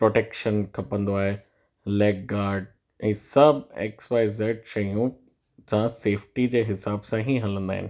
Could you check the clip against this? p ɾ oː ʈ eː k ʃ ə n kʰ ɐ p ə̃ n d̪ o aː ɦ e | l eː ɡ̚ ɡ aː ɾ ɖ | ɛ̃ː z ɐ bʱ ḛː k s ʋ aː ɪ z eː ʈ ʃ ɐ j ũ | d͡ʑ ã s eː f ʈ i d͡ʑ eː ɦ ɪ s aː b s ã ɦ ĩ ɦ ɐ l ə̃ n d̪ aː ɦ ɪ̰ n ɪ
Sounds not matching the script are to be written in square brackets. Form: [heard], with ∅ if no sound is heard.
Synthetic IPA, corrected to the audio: p ɾ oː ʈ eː k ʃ ə n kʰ ɐ p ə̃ n d̪ o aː ɦ e | l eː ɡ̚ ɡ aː ɾ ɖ | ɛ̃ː [s] ɐ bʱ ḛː k s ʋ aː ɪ z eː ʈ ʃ ɐ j ũ | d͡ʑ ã s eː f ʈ i d͡ʑ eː ɦ ɪ s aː b s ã ɦ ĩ ɦ ɐ l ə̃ n d̪ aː ɦ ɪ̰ n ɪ